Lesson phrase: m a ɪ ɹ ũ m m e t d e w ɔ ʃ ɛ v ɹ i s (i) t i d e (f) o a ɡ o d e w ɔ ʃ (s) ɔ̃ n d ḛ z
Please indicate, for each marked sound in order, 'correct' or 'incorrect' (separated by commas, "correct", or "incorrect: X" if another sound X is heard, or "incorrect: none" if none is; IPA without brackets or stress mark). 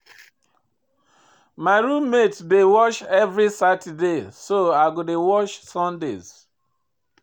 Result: incorrect: a, incorrect: s, correct